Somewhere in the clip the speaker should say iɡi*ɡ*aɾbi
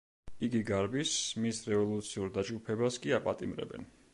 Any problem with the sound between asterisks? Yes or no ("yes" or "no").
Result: no